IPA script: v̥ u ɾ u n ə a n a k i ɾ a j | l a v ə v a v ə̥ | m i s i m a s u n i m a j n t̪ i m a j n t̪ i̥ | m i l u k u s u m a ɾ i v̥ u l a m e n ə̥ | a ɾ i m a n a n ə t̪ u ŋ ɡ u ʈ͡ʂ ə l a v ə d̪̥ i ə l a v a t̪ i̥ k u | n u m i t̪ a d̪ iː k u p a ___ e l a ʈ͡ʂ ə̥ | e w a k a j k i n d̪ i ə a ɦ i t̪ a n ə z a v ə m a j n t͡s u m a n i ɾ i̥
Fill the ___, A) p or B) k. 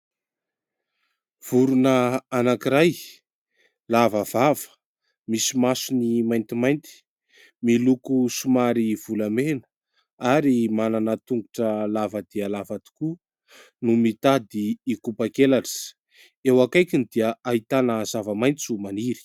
B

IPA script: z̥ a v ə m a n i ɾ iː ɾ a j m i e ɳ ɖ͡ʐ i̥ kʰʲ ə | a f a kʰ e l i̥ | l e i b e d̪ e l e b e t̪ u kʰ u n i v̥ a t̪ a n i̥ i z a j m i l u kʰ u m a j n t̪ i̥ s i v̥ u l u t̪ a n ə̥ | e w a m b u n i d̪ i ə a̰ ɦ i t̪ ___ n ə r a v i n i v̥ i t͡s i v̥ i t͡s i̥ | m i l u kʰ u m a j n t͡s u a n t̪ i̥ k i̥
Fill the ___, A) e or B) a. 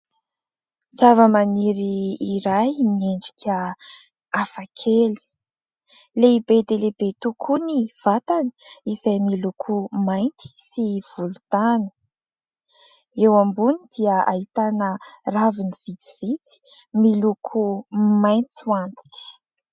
B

